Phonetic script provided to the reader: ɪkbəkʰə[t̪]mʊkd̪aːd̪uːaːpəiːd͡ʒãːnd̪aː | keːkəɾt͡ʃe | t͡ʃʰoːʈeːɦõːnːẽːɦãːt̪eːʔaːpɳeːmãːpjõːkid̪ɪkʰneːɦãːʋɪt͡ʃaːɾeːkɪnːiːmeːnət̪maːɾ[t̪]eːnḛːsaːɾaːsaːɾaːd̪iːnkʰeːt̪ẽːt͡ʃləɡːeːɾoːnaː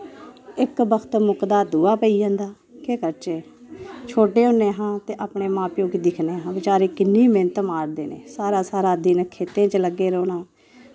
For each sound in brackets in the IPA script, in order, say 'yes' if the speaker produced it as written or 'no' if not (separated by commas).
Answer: yes, no